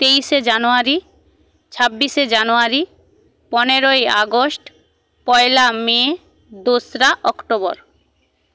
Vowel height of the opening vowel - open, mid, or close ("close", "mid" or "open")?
mid